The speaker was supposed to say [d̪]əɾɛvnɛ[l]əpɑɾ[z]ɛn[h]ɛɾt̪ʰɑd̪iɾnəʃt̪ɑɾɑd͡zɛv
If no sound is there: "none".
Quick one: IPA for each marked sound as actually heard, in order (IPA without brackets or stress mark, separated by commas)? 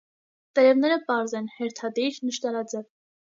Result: t̪, ɾ, z, h